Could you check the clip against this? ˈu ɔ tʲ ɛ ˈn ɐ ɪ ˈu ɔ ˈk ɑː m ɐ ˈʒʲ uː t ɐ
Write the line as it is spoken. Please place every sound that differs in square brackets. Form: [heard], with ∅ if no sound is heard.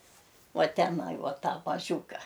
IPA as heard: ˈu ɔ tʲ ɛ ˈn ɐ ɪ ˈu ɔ [ˈt] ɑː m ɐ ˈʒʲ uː [k] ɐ